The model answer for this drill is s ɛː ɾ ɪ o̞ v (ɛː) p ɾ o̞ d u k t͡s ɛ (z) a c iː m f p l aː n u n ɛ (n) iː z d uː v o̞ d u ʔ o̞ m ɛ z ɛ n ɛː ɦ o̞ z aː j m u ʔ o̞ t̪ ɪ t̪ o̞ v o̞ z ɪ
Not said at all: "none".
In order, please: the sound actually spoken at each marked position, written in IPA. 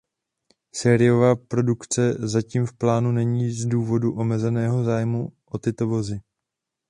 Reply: aː, z, ɲ

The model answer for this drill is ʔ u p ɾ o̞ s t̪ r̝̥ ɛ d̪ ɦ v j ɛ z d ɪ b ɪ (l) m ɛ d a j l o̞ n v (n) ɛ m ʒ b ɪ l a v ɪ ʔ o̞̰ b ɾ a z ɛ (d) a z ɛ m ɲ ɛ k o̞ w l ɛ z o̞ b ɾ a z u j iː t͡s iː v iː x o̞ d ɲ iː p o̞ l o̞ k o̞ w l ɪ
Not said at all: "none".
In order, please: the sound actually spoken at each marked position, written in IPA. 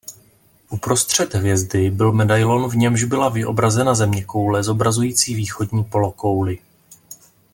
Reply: l, ɲ, n

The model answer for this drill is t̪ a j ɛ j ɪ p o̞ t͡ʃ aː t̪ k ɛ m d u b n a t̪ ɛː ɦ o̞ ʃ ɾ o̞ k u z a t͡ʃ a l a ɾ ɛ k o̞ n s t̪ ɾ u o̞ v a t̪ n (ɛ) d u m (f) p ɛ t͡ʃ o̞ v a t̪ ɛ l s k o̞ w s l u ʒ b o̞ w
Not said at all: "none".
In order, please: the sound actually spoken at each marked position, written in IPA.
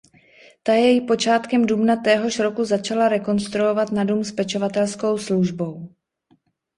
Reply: a, s

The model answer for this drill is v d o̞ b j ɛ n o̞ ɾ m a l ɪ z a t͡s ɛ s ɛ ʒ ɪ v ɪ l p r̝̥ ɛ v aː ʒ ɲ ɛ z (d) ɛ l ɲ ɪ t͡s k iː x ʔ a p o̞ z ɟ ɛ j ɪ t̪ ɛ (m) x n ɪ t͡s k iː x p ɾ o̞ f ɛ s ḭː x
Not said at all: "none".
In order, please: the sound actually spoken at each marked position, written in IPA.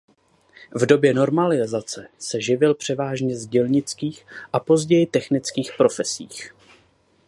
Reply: ɟ, none

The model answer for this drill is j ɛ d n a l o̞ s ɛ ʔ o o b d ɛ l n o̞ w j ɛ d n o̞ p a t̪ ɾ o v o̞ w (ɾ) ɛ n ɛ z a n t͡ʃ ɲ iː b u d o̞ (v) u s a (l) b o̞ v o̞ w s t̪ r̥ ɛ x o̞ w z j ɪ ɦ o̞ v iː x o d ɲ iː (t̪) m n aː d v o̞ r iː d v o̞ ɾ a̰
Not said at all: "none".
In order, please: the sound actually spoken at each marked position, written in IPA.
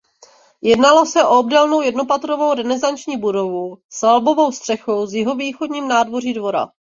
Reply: ɾ, v, l, none

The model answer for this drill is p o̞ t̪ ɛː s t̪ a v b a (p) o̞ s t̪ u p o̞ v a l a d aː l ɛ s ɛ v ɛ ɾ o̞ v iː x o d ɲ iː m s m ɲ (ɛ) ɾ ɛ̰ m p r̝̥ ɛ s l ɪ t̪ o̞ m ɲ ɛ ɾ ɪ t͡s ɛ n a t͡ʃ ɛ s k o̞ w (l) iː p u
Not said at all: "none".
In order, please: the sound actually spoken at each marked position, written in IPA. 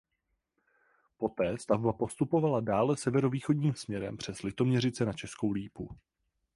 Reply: p, ɛ, l

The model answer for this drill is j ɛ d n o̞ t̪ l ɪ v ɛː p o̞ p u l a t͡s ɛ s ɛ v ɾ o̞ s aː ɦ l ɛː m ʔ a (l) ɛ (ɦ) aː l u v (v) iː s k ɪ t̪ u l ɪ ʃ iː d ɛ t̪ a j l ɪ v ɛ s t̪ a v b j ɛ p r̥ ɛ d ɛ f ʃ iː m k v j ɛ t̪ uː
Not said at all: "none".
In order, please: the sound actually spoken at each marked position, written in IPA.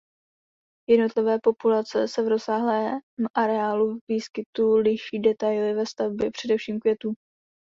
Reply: ɾ, none, v

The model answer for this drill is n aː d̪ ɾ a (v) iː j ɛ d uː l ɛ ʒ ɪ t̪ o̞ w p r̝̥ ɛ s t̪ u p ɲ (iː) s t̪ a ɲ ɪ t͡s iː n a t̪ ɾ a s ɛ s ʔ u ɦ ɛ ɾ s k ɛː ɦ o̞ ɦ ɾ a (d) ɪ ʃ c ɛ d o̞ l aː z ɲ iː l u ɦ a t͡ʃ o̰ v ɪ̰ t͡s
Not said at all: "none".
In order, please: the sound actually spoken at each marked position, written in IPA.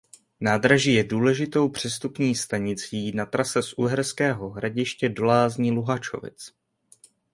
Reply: ʒ, iː, ɟ

